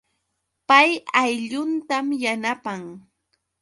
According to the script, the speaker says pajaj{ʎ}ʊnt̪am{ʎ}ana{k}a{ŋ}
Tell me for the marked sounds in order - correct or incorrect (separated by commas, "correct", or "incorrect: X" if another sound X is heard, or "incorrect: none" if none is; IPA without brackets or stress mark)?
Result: correct, incorrect: j, incorrect: p, correct